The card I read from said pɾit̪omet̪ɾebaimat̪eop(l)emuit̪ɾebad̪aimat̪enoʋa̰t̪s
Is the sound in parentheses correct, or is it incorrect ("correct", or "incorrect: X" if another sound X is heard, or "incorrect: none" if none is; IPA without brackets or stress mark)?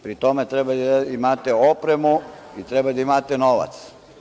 incorrect: ɾ